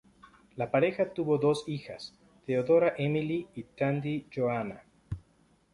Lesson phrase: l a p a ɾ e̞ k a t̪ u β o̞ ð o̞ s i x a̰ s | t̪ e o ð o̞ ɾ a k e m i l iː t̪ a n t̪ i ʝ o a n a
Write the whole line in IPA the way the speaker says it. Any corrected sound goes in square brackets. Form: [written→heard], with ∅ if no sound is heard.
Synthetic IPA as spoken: l a p a ɾ e̞ [k→x] a t̪ u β o̞ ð o̞ s i x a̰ s | t̪ e o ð o̞ ɾ a [k→ʔ] e m i l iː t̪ a n [t̪→d̪] i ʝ o a n a